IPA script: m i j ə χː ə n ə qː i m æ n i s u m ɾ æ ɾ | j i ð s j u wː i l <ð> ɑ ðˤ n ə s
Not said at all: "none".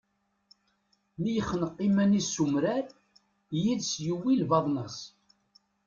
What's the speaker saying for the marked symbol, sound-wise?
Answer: v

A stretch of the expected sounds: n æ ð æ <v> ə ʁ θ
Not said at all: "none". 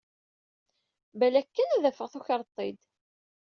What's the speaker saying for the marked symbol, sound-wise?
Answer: f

